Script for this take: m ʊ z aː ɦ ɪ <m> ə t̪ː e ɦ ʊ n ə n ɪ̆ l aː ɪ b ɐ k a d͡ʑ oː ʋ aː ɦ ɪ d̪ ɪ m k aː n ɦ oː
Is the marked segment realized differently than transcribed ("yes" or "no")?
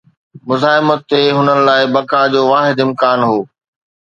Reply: no